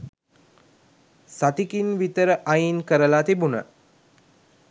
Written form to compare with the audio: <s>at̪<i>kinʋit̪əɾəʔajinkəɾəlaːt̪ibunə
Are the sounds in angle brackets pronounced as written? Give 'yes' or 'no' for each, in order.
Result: yes, yes

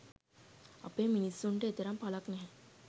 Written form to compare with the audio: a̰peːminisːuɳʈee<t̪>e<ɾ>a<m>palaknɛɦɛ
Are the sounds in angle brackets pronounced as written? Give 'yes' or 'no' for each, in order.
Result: yes, yes, yes

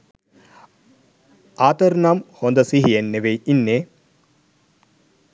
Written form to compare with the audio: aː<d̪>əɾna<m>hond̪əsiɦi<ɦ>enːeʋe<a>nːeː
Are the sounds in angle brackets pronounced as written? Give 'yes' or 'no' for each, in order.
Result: no, yes, no, no

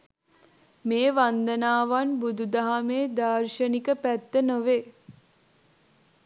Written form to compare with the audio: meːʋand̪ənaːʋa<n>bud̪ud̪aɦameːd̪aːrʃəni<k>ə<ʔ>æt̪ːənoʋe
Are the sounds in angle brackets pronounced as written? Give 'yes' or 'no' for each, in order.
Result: yes, yes, no

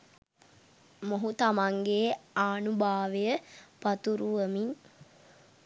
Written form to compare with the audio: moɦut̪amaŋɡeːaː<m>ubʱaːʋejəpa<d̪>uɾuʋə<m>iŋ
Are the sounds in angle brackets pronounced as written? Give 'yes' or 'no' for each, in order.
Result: no, no, yes

